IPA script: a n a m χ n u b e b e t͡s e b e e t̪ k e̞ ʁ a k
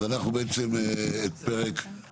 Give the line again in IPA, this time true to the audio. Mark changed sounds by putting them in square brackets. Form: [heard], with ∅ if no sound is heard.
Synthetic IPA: a n a [∅] χ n u b e [∅] e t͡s e [m] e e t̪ [p] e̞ ʁ [e] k